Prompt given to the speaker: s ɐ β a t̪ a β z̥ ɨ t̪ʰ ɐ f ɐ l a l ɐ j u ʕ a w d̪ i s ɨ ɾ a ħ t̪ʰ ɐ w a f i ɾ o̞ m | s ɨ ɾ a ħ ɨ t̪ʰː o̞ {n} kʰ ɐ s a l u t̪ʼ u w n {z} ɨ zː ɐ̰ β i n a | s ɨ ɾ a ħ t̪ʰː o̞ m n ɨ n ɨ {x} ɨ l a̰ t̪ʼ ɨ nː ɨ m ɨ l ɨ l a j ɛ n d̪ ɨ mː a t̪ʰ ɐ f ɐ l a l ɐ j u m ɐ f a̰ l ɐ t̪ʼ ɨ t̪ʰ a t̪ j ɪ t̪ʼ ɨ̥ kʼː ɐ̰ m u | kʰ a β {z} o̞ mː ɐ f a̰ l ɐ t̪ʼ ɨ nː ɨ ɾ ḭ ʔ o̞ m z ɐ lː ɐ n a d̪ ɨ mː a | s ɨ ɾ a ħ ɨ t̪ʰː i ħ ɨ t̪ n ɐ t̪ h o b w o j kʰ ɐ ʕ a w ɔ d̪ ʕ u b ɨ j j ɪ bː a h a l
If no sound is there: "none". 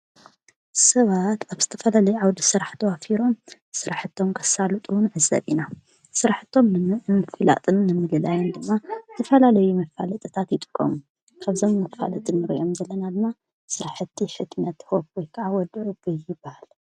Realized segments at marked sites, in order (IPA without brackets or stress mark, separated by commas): m, ʕ, f, z